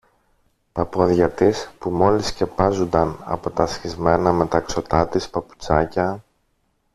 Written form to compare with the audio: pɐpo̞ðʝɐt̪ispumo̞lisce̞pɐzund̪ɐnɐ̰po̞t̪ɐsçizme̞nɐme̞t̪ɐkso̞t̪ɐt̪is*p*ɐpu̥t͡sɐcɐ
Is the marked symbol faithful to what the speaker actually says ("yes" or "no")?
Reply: yes